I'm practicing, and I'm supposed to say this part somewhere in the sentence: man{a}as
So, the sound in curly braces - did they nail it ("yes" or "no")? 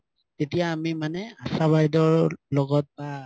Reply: no